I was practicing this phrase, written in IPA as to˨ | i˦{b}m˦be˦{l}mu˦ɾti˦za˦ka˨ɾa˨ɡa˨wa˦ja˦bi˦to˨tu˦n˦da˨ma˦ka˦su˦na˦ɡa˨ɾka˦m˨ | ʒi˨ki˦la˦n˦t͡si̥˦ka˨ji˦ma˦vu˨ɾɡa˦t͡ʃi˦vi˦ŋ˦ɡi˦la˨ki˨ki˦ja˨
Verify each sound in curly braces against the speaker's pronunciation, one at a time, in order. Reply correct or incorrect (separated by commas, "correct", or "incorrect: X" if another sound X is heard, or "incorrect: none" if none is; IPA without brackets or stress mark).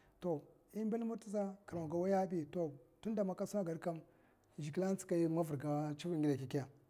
incorrect: none, correct